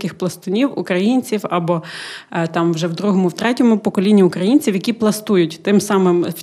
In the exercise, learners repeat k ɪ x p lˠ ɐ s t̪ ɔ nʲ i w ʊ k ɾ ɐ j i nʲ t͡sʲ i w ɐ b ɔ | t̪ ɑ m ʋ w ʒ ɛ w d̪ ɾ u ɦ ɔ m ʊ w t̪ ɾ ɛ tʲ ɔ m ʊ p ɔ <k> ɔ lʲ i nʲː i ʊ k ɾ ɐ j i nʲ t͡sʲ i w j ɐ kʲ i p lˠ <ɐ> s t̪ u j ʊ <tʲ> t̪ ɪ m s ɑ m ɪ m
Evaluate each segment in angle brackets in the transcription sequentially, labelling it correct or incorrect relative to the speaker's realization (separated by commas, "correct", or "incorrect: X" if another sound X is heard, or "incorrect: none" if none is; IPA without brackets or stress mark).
correct, correct, correct